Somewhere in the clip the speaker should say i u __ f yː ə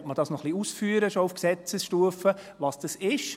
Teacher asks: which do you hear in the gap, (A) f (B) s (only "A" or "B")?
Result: B